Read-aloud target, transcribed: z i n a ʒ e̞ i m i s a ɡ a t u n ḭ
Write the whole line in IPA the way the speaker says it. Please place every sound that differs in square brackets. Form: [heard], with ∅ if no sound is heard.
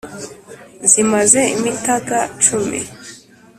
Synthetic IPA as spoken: z i [m] a [z] e̞ i m i [t] a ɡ a [t͡ʃ] u [m] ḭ